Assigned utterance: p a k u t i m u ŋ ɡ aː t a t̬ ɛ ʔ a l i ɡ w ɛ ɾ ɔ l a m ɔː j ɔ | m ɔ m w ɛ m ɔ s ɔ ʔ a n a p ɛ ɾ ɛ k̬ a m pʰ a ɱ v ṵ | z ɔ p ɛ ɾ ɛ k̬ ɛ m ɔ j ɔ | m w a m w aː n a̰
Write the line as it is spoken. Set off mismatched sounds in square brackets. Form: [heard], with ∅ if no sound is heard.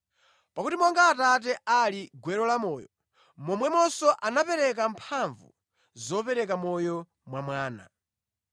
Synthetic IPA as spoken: p a k u t i m [ɔ] ŋ ɡ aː t a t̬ ɛ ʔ a l i ɡ w ɛ ɾ ɔ l a m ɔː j ɔ | m ɔ m w ɛ m ɔ s ɔ ʔ a n a p ɛ ɾ ɛ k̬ a m pʰ a ɱ v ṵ | z ɔ p ɛ ɾ ɛ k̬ [a] m ɔ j ɔ | m w a m w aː n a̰